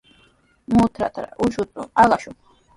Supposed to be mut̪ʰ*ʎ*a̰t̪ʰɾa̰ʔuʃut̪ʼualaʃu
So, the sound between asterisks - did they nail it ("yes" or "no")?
no